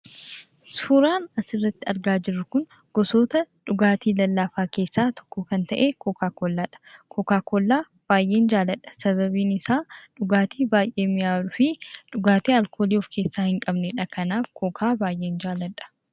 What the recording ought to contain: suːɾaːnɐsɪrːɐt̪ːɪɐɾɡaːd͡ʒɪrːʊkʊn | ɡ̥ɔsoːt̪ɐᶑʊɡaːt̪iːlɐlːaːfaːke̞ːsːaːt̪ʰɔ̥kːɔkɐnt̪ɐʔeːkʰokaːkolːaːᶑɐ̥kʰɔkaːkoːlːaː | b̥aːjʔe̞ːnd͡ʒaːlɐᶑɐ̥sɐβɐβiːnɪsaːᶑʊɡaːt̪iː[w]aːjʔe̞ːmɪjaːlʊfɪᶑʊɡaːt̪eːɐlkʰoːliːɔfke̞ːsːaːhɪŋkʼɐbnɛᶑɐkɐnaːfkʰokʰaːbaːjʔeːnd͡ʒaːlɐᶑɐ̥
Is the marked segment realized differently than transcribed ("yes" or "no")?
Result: yes